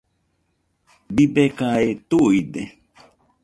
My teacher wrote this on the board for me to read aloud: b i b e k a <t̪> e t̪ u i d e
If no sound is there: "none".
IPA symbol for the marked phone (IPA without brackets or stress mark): none